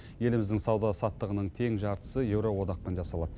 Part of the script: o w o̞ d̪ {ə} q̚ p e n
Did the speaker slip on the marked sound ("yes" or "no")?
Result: yes